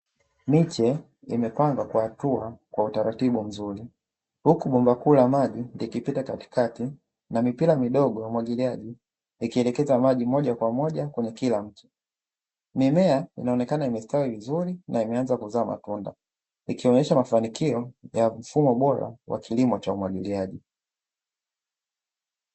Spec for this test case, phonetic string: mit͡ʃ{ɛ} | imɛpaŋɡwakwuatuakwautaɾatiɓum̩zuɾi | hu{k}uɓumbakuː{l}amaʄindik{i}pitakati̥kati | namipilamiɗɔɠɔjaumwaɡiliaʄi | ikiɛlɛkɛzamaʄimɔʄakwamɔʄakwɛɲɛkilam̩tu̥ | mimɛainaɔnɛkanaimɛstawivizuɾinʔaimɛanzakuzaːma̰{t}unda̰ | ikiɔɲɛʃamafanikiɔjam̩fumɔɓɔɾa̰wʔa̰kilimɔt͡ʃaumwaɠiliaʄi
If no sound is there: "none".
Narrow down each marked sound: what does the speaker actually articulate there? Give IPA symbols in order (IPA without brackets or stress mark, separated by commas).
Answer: ɛ, k, l, i, t